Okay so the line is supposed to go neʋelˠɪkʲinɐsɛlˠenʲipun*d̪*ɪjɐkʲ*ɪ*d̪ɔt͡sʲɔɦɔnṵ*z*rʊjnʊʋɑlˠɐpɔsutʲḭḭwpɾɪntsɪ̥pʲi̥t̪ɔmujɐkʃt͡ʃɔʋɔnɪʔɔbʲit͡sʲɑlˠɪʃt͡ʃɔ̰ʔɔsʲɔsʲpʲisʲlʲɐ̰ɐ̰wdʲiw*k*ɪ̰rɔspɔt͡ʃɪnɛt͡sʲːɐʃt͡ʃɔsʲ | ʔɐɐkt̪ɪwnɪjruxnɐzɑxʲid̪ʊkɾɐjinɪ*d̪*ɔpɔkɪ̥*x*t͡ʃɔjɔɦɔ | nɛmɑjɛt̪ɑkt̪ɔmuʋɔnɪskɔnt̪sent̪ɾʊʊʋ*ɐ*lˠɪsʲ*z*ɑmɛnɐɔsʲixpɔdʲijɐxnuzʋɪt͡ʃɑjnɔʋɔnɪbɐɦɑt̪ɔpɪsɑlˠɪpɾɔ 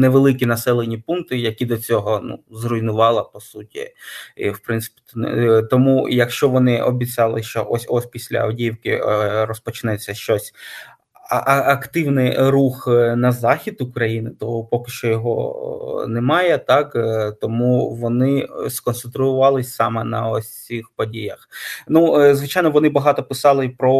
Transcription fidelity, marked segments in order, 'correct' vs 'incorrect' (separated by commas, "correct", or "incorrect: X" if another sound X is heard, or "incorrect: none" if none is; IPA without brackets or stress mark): incorrect: t̪, incorrect: i, correct, correct, incorrect: t̪, incorrect: ʃ, incorrect: ɑ, incorrect: s